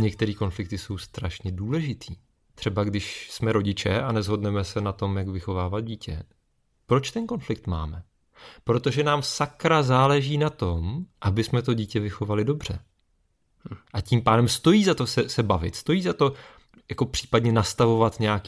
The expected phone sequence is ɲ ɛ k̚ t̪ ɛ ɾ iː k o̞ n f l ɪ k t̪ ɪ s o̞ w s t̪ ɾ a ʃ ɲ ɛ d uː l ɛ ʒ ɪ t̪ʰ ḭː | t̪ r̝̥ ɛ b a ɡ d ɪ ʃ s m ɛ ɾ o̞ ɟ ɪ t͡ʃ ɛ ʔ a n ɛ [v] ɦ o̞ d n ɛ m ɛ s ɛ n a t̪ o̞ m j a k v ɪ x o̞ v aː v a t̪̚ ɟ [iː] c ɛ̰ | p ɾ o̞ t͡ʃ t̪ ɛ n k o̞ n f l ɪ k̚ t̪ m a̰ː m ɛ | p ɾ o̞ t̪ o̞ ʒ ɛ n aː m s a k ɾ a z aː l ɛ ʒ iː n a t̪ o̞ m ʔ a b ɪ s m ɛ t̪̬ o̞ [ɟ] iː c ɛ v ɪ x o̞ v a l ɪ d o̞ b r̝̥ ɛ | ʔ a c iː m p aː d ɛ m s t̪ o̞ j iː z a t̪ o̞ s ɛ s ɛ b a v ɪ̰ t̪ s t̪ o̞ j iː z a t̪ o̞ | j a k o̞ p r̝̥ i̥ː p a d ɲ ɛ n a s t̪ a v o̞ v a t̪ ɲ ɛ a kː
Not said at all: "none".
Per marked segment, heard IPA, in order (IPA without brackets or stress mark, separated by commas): z, iː, ɟ